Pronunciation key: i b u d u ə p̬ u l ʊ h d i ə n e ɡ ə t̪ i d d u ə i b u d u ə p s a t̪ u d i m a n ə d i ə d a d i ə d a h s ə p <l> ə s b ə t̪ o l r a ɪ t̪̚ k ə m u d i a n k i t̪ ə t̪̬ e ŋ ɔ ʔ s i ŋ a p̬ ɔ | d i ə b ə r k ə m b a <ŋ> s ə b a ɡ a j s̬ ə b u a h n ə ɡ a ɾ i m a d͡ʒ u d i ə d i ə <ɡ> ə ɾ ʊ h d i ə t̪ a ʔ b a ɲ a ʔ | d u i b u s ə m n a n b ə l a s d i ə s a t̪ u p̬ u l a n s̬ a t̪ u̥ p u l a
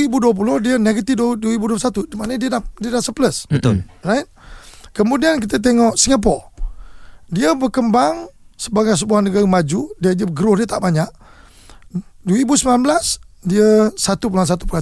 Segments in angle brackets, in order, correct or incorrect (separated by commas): correct, correct, correct